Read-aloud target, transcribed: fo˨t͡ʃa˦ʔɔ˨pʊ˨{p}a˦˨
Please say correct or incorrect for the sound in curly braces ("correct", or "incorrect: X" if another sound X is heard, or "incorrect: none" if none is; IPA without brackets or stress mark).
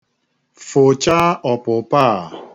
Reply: correct